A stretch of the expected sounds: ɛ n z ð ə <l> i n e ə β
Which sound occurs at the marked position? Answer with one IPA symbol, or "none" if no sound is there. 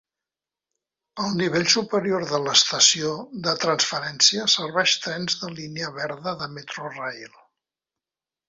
l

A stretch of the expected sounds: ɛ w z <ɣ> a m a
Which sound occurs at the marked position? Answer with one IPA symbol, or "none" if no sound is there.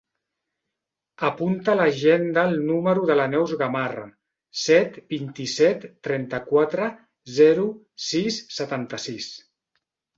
ɣ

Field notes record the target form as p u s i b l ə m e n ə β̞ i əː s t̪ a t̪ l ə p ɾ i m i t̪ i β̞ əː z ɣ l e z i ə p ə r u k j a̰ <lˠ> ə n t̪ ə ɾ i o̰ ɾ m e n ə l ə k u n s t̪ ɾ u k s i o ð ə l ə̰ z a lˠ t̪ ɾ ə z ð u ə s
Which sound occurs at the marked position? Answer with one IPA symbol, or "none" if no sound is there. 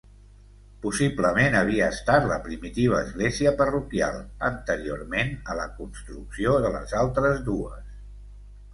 lˠ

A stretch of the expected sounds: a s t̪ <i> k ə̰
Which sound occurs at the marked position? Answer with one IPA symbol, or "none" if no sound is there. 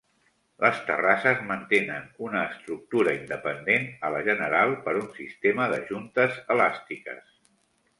i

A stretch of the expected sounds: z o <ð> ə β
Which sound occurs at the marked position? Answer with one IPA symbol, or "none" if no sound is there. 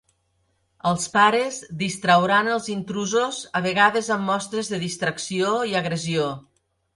z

